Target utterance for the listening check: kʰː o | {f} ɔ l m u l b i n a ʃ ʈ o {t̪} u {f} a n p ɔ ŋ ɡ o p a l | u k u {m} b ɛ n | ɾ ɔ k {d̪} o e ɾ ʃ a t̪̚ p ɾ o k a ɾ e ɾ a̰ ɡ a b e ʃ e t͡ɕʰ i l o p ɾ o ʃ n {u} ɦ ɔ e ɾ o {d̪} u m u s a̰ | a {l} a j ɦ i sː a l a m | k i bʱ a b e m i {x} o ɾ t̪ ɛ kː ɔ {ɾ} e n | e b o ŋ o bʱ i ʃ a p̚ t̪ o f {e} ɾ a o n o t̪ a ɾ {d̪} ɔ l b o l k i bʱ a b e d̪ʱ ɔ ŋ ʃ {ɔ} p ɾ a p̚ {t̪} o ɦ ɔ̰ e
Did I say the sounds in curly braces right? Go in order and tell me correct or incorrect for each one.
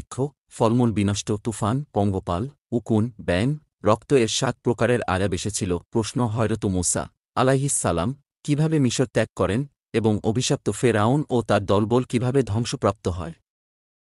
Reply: correct, correct, correct, incorrect: n, incorrect: t̪, incorrect: o, incorrect: t̪, correct, incorrect: ʃ, correct, correct, correct, incorrect: o, correct

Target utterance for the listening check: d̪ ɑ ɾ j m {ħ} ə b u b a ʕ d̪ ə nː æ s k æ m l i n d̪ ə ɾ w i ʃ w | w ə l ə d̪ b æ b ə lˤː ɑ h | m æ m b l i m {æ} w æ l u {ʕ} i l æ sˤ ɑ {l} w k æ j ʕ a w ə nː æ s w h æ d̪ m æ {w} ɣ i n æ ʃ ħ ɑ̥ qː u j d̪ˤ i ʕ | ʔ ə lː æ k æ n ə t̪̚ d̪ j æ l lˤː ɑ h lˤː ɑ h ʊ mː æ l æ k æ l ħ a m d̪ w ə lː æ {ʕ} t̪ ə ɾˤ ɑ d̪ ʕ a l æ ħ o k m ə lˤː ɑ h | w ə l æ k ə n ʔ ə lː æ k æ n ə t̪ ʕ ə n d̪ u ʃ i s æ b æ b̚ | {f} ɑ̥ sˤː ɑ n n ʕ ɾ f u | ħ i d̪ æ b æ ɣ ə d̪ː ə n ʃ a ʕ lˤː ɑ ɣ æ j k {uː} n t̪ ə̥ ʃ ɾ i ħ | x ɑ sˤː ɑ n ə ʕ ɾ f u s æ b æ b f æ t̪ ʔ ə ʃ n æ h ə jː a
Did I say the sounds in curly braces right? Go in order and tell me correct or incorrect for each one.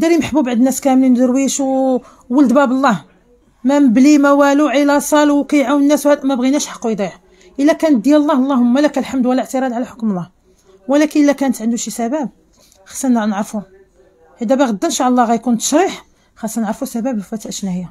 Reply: correct, correct, correct, correct, incorrect: b, correct, incorrect: x, incorrect: u

